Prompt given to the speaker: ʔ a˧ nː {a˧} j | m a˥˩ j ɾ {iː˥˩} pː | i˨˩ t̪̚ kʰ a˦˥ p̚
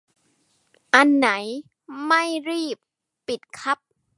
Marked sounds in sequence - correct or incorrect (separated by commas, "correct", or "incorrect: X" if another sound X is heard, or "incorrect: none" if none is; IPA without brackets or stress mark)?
incorrect: a˩˦, correct